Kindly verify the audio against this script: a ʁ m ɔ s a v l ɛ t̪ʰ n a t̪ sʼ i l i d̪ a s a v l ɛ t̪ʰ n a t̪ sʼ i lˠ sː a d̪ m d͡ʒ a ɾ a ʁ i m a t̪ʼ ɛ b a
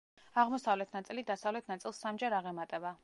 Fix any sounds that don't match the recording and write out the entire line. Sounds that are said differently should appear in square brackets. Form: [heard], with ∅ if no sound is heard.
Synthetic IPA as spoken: a ʁ m ɔ s a v l ɛ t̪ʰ n a t̪ sʼ i l i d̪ a s a v l ɛ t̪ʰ n a t̪ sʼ i lˠ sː a [∅] m d͡ʒ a ɾ a ʁ [ɛ] m a t̪ʼ ɛ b a